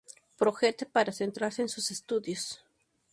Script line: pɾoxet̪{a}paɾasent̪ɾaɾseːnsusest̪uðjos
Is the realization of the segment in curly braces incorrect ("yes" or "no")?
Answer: yes